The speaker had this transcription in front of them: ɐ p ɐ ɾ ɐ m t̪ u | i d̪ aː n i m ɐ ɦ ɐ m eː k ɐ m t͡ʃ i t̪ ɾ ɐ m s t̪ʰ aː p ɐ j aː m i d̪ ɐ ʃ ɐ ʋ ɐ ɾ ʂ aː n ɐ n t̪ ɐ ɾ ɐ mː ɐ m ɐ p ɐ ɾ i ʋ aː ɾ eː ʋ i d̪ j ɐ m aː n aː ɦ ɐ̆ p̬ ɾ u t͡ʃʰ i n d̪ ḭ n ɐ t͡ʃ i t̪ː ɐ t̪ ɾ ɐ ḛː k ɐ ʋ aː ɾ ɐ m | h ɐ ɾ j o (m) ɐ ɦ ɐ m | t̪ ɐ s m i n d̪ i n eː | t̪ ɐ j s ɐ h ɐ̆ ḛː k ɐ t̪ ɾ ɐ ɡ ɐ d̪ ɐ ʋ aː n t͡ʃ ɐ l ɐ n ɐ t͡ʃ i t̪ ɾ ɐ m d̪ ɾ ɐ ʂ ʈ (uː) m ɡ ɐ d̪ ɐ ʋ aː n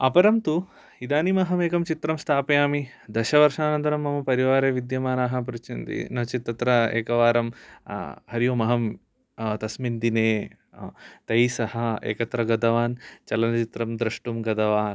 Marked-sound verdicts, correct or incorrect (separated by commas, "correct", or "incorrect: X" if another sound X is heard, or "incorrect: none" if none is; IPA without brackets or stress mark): correct, incorrect: u